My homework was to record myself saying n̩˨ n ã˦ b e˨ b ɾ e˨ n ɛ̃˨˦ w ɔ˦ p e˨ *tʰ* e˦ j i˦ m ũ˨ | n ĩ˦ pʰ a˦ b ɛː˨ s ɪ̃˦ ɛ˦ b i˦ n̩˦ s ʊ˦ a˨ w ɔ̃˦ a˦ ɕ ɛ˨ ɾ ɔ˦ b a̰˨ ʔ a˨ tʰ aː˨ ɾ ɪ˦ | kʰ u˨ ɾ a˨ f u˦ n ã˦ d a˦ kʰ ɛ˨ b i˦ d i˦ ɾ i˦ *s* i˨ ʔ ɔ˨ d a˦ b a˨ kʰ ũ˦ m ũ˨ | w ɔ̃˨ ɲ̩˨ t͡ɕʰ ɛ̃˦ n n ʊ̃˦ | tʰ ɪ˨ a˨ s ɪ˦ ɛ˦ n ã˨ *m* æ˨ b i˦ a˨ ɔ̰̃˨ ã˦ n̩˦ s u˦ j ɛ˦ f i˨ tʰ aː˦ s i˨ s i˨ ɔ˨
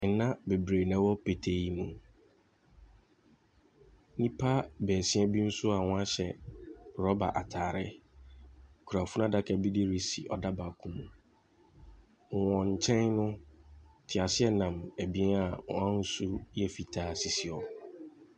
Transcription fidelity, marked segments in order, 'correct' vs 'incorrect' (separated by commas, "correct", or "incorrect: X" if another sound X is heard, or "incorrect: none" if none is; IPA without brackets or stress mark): correct, correct, correct